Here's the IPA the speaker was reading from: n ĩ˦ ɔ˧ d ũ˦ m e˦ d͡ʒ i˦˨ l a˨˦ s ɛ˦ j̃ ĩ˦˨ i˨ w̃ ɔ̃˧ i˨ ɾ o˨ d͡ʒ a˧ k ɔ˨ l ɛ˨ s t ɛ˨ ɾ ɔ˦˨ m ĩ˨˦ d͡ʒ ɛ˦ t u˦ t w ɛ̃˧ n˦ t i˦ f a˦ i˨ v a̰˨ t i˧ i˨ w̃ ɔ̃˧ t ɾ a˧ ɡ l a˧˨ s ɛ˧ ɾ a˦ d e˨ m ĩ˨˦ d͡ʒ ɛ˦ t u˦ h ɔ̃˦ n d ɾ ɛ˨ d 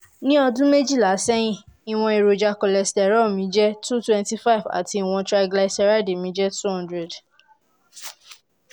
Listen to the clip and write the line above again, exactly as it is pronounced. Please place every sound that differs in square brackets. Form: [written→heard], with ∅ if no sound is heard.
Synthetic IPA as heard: n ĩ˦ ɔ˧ d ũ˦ m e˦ d͡ʒ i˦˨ l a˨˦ s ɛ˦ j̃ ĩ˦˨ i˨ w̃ ɔ̃˧ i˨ ɾ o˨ d͡ʒ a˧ k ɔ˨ l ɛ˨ s t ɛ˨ ɾ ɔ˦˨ m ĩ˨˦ d͡ʒ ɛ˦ t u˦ t w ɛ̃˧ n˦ t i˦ f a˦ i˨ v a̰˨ t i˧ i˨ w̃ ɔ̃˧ t ɾ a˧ ɡ l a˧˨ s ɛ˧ ɾ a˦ d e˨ m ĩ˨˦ d͡ʒ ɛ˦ t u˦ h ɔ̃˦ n d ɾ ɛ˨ d